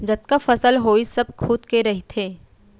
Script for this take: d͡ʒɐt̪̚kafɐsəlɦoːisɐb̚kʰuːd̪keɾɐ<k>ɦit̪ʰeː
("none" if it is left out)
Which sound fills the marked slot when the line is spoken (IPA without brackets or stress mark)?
none